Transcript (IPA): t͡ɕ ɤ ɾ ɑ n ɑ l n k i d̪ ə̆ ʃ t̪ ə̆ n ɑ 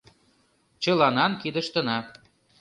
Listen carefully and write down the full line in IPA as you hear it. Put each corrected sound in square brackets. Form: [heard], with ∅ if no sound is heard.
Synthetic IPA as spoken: t͡ɕ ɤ [l] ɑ n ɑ [∅] n k i d̪ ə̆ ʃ t̪ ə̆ n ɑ